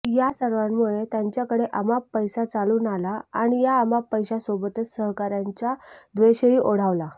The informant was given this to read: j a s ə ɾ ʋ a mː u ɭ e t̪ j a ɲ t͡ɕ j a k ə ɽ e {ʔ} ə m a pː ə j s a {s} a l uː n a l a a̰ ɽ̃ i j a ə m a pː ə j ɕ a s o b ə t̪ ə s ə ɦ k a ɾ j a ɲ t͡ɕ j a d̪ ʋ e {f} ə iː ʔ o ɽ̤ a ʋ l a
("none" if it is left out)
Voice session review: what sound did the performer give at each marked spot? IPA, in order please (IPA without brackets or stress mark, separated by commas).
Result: ʔ, t͡s, ɕ